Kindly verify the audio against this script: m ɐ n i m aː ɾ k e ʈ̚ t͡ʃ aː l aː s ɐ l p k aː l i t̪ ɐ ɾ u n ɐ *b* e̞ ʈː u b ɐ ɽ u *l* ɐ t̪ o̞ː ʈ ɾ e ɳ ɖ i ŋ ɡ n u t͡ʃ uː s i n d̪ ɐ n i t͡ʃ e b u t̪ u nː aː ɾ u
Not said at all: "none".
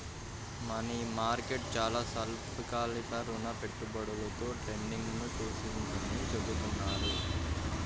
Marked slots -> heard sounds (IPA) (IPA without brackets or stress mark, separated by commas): p, l